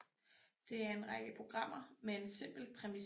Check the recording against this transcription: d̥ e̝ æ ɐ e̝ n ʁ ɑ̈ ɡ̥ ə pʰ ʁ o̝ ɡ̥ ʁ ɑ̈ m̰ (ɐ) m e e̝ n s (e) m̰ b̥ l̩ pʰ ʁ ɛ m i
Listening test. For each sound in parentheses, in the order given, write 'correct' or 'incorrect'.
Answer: correct, correct

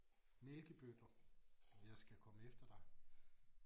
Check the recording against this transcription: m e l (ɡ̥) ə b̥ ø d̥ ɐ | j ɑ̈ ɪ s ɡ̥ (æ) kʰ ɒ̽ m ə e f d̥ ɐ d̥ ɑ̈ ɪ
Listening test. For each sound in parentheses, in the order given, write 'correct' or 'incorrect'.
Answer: correct, correct

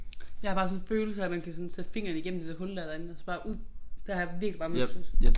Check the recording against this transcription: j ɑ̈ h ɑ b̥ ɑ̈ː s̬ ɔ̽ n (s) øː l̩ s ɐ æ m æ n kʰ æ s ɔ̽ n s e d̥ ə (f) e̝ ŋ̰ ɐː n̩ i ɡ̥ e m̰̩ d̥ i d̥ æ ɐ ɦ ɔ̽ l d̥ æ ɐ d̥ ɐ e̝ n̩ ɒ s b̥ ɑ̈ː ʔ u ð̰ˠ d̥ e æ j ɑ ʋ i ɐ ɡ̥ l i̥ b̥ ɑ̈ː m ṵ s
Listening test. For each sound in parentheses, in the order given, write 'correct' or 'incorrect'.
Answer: incorrect, correct

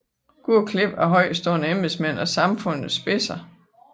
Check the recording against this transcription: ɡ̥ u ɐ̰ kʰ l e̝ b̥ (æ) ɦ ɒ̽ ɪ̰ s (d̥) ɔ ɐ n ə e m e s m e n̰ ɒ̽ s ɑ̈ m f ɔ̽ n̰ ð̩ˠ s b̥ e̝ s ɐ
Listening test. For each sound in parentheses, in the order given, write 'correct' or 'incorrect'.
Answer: correct, correct

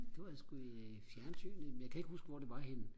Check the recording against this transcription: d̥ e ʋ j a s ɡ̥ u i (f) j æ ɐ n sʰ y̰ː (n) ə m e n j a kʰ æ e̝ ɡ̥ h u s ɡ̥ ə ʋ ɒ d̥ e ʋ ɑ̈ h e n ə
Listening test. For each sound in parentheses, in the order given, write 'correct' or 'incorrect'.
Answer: correct, correct

